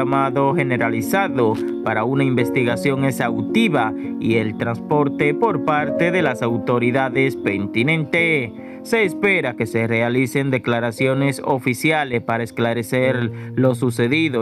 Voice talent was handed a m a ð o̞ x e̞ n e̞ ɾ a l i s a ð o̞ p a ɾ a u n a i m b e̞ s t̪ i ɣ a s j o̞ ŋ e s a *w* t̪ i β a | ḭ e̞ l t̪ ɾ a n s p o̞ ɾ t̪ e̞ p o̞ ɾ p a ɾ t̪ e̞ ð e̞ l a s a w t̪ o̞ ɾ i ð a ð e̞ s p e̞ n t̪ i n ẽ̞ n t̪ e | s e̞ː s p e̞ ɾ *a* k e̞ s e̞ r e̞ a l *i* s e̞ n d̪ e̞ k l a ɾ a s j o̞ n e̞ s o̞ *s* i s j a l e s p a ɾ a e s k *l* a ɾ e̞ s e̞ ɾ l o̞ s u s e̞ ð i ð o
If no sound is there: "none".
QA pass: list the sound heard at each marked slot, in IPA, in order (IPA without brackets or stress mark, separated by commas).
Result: w, a, i, f, l